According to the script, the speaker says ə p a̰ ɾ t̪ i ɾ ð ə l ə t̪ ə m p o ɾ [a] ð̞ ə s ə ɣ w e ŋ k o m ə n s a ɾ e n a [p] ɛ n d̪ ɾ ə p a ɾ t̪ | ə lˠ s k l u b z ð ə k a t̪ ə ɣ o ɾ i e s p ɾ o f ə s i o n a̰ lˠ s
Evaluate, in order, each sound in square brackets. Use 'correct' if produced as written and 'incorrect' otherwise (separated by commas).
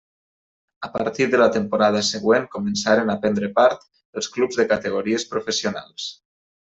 correct, correct